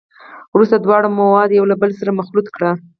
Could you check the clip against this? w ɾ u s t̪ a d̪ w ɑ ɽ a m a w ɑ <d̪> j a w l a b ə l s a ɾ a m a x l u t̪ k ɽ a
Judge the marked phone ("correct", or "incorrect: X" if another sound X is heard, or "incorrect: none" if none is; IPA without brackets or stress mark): correct